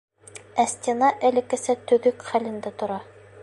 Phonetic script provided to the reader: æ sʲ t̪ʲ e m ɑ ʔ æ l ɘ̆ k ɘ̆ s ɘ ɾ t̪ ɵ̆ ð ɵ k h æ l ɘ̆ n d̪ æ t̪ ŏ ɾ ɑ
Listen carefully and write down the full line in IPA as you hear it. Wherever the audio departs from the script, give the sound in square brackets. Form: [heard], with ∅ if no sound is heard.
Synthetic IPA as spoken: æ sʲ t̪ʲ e [n] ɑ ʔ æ l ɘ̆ k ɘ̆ s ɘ [∅] t̪ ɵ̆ ð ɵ k [χ] æ l ɘ̆ n d̪ æ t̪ ŏ ɾ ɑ